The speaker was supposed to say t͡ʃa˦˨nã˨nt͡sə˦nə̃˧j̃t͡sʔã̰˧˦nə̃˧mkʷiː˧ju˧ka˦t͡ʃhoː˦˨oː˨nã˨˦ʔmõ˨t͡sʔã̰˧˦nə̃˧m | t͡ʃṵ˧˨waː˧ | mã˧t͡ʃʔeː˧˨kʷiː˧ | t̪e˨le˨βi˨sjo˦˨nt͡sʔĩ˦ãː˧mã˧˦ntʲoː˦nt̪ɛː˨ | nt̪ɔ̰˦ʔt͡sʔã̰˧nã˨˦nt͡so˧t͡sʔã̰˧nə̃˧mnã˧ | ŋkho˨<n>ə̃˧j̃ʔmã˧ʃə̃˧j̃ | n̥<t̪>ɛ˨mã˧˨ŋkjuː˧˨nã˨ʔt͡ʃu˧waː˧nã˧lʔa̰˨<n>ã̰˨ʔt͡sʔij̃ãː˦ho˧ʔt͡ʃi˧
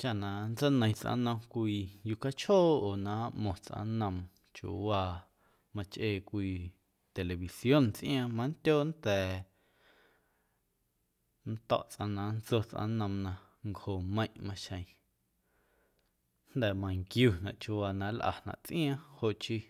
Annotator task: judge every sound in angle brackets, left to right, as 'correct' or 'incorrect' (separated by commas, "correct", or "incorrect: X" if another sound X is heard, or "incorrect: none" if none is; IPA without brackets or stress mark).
incorrect: m, incorrect: d̪, correct